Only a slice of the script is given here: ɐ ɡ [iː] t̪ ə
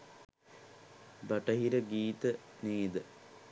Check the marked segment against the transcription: correct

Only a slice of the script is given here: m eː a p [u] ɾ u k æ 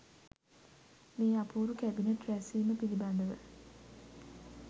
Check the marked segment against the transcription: incorrect: uː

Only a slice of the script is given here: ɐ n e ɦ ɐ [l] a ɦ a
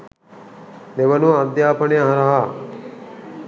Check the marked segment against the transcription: incorrect: ɾ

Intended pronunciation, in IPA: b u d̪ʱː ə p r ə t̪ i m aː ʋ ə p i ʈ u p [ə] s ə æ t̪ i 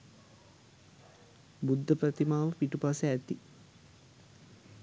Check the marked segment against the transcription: incorrect: a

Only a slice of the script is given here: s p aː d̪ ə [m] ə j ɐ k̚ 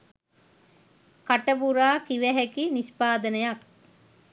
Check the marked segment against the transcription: incorrect: n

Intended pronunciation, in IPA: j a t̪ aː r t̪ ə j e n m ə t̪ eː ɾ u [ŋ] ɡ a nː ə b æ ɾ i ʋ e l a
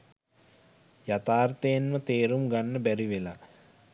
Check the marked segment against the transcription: incorrect: m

